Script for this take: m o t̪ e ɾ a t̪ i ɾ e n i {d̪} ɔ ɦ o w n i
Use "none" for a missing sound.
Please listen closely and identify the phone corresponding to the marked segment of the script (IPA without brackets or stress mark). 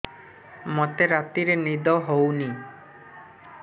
d̪